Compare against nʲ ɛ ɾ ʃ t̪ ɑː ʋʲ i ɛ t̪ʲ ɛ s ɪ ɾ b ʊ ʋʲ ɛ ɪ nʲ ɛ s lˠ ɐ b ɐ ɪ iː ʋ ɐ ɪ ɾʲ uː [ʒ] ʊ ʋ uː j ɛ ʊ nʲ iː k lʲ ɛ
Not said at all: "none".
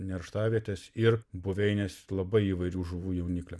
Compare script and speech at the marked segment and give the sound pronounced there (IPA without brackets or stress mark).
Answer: ʒ